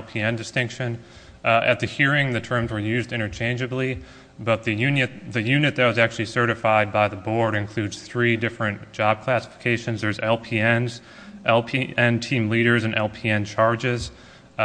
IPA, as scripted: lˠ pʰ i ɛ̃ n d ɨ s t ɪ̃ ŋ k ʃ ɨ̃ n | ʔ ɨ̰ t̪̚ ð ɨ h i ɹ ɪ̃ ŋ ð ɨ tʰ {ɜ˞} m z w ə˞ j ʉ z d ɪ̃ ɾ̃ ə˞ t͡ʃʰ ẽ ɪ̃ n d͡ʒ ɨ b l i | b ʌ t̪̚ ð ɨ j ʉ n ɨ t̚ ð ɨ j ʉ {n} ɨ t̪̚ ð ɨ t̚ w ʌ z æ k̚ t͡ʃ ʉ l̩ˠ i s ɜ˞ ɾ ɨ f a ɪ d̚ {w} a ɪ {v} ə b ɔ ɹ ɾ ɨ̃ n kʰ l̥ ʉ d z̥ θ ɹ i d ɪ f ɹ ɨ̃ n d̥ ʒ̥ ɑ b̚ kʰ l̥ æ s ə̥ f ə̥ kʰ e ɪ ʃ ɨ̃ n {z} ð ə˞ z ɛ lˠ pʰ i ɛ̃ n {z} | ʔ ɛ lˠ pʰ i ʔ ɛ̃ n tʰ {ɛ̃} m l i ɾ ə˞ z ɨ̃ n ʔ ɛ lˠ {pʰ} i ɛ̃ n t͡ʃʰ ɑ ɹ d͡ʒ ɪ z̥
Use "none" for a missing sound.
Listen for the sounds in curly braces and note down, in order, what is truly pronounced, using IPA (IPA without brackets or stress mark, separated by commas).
ɜ̃˞, n, b, ð, z, z, ĩ, pʰ